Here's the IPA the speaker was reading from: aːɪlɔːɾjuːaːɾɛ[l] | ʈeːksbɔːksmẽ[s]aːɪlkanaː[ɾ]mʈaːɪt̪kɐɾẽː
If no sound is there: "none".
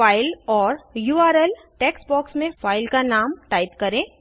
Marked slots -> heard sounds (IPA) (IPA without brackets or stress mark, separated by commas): l, f, none